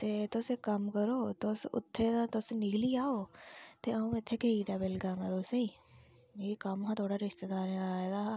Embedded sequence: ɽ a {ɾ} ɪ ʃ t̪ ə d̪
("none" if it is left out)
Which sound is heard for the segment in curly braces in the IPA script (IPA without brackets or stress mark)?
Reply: ɾ